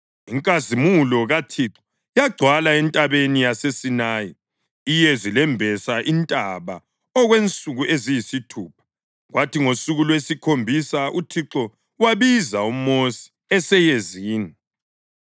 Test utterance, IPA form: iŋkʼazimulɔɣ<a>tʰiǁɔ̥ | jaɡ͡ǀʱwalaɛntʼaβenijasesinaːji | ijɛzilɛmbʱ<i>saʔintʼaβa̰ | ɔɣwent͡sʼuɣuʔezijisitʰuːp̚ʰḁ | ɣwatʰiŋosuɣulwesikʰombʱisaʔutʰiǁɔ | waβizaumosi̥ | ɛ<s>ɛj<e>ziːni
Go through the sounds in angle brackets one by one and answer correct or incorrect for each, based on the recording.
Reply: correct, incorrect, correct, correct

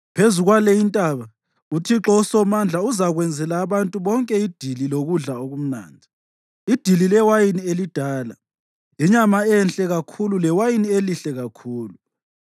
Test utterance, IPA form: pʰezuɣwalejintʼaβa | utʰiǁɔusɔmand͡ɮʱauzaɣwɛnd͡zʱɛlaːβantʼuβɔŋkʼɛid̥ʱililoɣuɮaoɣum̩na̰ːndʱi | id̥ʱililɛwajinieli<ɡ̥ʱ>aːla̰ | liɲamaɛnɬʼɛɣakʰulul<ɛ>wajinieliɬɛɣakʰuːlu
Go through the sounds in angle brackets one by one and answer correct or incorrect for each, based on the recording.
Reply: incorrect, correct

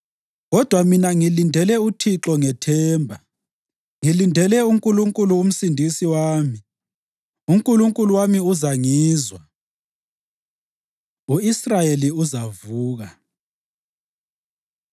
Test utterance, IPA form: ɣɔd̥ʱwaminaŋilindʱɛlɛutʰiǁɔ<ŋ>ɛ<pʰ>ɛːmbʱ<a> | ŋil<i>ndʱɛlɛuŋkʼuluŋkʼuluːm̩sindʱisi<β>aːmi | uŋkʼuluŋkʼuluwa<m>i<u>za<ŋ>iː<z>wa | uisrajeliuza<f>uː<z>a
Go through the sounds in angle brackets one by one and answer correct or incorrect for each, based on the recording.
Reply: correct, incorrect, correct, correct, incorrect, correct, correct, correct, correct, incorrect, incorrect

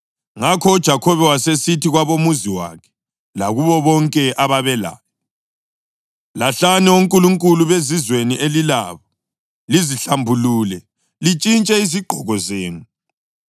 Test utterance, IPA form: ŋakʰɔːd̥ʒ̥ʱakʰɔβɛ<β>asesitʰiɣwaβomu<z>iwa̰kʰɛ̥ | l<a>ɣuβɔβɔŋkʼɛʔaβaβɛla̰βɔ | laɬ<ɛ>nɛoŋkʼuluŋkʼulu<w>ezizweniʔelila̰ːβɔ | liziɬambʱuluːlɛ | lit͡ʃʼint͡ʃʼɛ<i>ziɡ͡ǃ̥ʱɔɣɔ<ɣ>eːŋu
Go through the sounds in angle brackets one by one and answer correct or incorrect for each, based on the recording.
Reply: incorrect, correct, correct, incorrect, incorrect, correct, incorrect

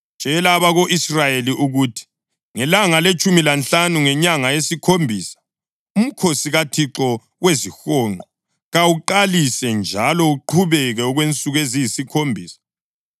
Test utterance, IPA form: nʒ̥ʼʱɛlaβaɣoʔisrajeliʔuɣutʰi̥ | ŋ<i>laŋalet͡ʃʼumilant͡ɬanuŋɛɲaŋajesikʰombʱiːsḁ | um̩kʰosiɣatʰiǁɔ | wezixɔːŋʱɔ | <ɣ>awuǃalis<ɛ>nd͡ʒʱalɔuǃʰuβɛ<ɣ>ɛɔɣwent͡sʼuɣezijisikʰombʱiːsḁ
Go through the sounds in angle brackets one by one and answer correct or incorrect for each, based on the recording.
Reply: incorrect, correct, correct, correct

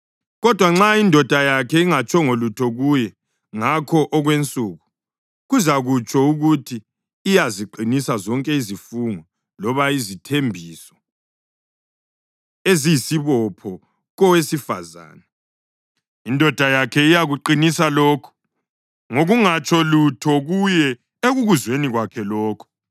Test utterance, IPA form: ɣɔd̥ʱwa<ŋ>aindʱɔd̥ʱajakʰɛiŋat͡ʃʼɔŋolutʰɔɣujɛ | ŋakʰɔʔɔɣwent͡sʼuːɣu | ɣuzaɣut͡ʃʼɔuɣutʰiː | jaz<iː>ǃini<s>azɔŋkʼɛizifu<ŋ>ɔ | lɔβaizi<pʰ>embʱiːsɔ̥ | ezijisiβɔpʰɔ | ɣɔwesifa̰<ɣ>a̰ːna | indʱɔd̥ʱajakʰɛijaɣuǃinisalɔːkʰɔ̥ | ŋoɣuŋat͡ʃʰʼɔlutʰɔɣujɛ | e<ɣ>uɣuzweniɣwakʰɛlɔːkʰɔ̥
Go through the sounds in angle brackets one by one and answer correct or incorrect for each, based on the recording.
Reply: incorrect, incorrect, correct, correct, incorrect, incorrect, correct

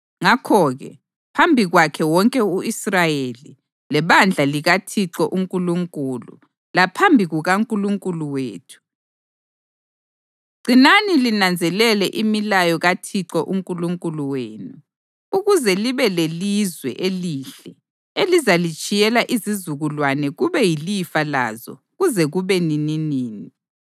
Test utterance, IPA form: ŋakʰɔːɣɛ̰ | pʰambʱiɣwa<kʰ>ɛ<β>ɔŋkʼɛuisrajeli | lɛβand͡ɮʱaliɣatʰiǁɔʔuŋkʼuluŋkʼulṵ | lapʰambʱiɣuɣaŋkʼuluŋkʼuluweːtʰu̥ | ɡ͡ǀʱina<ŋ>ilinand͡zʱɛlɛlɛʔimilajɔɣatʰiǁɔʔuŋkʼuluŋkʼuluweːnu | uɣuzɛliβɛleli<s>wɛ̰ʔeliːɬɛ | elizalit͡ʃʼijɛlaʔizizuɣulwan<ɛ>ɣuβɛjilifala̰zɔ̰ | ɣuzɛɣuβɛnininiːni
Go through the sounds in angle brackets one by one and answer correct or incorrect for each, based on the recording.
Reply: correct, incorrect, incorrect, incorrect, correct

